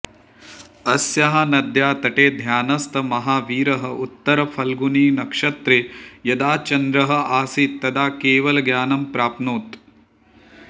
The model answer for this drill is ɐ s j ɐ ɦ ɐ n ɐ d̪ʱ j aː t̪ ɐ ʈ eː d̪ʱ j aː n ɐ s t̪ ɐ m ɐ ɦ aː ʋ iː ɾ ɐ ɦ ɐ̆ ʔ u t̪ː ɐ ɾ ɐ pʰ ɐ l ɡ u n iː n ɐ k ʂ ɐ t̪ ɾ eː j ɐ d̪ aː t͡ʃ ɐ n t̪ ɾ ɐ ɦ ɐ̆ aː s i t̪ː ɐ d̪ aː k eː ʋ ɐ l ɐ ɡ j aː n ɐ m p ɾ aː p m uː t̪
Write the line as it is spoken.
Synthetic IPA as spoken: ɐ s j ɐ ɦ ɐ n ɐ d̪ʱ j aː t̪ ɐ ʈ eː d̪ʱ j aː n ɐ s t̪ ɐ m ɐ ɦ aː ʋ iː ɾ ɐ ɦ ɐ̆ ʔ u t̪ː ɐ ɾ ɐ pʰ ɐ l ɡ u n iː n ɐ k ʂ ɐ t̪ ɾ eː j ɐ d̪ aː t͡ʃ ɐ n d̪ ɾ ɐ ɦ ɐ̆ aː s i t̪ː ɐ d̪ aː k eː ʋ ɐ l ɐ ɡ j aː n ɐ m p ɾ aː p n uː t̪